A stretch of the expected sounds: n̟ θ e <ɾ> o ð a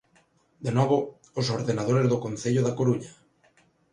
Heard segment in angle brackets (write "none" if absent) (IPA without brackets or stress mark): ʎ